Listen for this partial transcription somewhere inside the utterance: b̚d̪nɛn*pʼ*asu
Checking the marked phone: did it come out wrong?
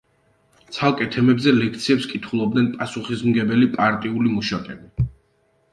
no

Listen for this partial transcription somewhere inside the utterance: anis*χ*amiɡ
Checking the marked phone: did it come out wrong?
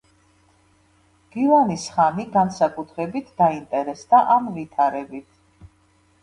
no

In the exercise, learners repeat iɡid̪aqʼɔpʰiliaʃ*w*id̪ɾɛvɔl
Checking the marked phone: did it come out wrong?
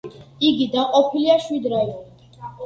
no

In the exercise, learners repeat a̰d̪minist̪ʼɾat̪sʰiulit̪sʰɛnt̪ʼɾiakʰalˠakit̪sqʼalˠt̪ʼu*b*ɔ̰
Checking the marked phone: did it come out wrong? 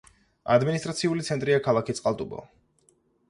no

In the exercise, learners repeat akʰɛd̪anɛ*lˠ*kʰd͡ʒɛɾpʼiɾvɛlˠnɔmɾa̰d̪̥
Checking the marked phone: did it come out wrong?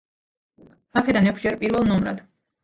yes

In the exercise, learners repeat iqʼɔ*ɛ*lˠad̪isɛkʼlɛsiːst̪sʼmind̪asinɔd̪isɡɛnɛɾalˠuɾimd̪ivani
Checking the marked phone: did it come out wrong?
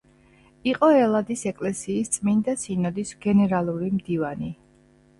no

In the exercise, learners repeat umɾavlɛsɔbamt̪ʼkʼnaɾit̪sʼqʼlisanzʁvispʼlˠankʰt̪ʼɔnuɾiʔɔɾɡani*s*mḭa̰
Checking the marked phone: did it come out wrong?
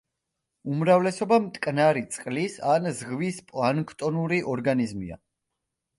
yes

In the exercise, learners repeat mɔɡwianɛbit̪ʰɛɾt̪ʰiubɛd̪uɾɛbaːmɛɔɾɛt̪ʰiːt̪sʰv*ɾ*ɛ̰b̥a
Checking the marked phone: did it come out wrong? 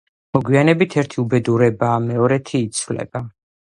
yes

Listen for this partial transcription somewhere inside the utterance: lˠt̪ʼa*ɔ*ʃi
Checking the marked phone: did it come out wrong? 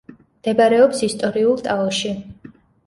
no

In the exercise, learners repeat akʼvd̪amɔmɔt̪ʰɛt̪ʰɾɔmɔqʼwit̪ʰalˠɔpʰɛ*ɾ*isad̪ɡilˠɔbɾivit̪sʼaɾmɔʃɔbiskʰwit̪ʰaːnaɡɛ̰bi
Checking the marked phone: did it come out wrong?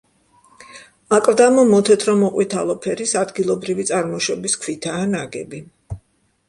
no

